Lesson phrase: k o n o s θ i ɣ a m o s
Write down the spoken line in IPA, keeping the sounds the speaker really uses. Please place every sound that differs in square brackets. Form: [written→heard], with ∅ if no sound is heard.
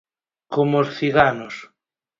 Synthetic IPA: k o [n→m] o s θ i ɣ a [m→n] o s